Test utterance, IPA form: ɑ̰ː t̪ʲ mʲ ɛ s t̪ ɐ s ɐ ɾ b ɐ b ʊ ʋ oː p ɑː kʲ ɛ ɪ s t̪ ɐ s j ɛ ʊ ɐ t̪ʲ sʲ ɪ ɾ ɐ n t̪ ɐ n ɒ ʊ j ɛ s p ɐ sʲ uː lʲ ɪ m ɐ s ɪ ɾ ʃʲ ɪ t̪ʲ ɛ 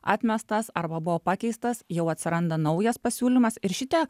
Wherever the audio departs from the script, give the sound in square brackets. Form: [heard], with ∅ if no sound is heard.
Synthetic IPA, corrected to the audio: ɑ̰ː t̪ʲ mʲ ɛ s t̪ ɐ s ɐ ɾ b ɐ b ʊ ʋ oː p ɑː kʲ ɛ ɪ s t̪ ɐ s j ɛ ʊ ɐ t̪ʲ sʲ ɪ ɾ ɐ n [d̪] ɐ n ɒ ʊ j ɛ s p ɐ sʲ uː lʲ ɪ m ɐ s ɪ ɾ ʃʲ ɪ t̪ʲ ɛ